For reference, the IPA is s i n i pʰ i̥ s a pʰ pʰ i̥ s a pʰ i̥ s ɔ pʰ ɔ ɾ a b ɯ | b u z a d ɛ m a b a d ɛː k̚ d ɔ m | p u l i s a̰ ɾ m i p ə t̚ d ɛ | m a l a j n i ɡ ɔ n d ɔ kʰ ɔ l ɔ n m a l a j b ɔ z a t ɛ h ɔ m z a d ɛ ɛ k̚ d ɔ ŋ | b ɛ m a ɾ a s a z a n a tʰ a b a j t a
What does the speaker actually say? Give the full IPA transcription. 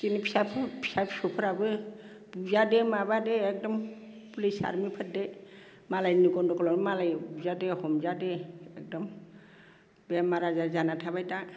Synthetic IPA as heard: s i n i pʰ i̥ s a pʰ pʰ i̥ s a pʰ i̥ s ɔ pʰ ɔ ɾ a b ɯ | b u z a d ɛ m a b a d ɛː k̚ d ɔ m | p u l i s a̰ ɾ m i pʰ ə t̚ d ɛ | m a l a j n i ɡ ɔ n d ɔ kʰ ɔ l ɔ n m a l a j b u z a d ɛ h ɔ m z a d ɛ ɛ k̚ d ɔ m | b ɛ m a ɾ a z a z a n a tʰ a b a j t a